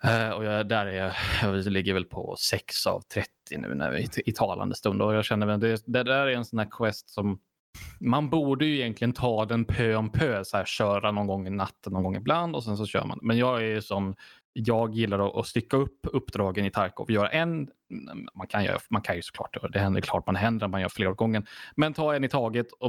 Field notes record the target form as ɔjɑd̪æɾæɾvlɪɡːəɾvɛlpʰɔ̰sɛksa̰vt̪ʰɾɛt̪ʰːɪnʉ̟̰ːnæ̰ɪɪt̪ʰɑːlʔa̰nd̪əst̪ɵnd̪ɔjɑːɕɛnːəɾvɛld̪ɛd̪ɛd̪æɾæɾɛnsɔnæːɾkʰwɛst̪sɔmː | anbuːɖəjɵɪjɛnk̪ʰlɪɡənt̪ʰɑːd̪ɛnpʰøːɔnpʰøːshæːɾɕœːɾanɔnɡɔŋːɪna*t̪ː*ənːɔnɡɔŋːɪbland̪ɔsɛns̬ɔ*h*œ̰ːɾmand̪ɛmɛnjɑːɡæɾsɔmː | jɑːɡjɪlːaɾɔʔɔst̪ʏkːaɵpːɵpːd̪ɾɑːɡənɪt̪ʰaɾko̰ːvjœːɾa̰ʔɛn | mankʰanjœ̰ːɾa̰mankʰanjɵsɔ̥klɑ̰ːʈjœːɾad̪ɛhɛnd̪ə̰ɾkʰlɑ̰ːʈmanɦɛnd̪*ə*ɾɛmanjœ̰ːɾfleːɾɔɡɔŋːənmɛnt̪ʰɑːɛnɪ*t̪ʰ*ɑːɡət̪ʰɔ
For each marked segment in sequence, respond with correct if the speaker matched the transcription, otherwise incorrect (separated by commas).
correct, incorrect, correct, correct